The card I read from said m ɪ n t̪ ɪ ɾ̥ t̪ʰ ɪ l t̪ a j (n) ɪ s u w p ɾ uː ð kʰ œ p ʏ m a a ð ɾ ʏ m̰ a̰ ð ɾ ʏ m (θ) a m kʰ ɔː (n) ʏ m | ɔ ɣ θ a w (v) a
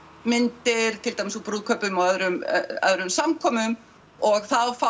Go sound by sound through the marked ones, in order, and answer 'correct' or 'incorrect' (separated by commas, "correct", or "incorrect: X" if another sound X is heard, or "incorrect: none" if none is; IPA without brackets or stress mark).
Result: incorrect: m, incorrect: s, incorrect: m, incorrect: f